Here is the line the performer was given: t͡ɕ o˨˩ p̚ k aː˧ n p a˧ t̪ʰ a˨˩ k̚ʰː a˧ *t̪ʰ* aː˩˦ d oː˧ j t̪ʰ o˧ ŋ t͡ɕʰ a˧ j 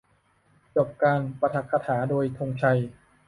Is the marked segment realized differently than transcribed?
no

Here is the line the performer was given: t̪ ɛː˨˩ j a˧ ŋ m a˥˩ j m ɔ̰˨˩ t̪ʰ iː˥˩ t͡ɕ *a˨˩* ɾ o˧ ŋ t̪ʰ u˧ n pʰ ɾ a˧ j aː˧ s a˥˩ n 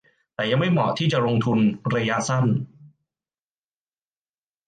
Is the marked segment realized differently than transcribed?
no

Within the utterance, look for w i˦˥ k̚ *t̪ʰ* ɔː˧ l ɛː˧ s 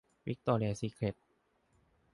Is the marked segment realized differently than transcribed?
yes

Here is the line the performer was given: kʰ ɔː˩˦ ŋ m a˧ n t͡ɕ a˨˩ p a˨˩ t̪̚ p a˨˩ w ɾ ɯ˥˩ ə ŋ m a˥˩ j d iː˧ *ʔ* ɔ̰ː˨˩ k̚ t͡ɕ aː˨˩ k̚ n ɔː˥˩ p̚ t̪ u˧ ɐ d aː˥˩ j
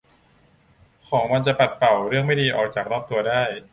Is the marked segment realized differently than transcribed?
no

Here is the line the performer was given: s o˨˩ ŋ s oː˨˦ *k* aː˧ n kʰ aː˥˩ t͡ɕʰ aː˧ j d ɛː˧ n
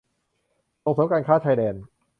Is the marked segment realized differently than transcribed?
no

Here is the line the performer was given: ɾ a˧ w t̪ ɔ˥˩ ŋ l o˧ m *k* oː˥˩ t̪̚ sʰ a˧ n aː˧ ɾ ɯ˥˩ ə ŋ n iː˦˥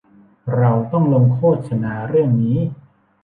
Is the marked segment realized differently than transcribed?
yes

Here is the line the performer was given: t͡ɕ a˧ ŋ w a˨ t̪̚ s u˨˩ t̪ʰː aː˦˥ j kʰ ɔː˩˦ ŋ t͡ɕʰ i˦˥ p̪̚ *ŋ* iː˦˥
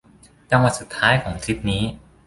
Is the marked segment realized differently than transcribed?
yes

